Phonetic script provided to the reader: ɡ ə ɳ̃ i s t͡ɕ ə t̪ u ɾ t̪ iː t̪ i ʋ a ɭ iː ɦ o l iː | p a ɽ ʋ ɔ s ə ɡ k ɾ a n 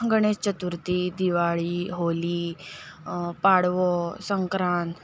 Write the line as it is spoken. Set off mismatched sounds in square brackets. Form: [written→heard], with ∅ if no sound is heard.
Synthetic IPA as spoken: ɡ ə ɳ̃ [i→e] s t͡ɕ ə t̪ u ɾ t̪ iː [t̪→d̪] i ʋ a ɭ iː ɦ o l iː | p a ɽ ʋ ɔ s ə [ɡ→ŋ] k ɾ a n